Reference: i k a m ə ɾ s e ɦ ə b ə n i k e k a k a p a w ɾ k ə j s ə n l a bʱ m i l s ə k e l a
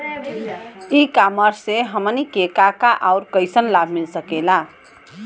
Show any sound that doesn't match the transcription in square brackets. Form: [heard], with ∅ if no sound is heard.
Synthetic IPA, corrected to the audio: i k a m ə ɾ s e ɦ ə [m] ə n i k e k a k a [ʔ] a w ɾ k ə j s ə n l a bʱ m i l s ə k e l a